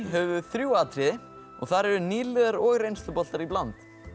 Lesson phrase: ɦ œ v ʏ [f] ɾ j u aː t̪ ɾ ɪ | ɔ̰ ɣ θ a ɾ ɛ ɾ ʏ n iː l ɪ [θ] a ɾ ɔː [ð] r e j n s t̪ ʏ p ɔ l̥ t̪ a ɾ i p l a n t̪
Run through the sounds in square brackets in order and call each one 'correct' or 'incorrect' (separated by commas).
incorrect, incorrect, incorrect